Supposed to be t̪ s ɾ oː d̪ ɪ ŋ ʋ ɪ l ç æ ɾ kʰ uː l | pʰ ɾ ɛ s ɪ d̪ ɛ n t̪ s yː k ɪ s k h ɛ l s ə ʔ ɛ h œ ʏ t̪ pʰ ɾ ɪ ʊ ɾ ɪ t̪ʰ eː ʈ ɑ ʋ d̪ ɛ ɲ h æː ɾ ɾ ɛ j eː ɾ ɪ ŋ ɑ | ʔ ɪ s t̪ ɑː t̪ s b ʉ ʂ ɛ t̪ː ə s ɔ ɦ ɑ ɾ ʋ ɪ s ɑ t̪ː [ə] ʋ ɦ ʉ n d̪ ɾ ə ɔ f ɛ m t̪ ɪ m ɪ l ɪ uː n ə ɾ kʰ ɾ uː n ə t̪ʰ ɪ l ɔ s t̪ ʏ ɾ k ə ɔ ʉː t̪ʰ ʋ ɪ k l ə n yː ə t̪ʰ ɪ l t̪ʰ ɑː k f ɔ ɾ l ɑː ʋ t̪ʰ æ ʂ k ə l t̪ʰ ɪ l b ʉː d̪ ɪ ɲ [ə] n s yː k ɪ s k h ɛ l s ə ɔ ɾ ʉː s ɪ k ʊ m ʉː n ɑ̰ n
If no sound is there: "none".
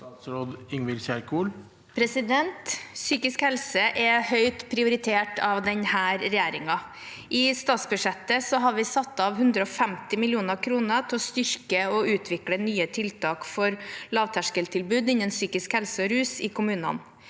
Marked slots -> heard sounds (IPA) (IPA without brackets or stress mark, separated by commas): ɑ, ə